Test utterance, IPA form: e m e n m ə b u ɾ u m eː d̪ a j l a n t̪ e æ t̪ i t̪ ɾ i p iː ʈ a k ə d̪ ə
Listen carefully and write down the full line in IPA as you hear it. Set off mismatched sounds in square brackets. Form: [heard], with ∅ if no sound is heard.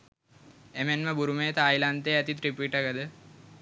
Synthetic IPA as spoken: e m e n m ə b u ɾ u m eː [t̪] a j l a n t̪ e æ t̪ i t̪ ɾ i p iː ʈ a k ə d̪ ə